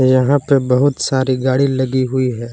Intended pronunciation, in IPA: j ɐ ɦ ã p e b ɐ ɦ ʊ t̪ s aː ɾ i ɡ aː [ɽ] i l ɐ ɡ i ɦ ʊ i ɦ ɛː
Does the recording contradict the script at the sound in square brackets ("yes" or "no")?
no